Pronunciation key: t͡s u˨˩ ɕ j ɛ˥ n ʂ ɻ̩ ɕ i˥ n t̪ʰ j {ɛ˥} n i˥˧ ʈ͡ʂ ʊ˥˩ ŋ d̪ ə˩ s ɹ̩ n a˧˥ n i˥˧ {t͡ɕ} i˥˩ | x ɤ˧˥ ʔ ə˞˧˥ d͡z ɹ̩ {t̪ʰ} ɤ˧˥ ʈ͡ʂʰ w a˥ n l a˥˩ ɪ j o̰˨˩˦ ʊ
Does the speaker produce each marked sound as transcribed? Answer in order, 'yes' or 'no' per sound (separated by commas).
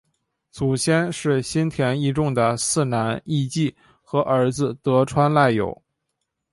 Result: no, yes, no